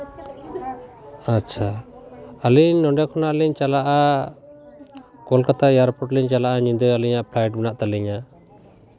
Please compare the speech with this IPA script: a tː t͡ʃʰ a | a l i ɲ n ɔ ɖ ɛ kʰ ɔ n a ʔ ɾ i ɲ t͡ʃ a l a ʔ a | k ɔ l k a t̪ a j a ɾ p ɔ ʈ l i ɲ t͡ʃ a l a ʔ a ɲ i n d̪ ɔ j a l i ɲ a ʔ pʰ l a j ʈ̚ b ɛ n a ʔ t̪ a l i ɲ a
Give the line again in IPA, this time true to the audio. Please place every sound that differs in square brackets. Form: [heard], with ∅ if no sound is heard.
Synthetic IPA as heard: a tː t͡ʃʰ a | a l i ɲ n ɔ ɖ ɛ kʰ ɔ n a ʔ [l] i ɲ t͡ʃ a l a ʔ a | k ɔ l k a t̪ a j a ɾ p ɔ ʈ l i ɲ t͡ʃ a l a ʔ a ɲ i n d̪ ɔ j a l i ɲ a ʔ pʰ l a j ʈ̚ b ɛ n a ʔ t̪ a l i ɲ a